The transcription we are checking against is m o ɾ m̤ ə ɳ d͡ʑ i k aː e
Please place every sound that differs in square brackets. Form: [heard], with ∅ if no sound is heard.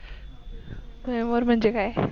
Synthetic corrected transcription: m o ɾ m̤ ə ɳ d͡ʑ [e] k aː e